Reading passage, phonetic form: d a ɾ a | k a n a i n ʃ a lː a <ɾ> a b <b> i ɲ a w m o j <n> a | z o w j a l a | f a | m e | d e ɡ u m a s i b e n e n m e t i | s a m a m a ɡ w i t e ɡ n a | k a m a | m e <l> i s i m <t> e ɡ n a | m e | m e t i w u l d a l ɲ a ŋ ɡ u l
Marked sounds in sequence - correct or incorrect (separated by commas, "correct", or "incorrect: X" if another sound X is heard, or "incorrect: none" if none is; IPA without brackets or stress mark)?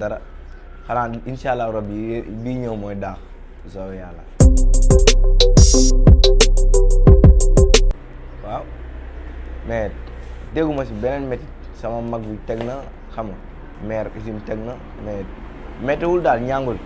correct, correct, incorrect: d, incorrect: ɾ, correct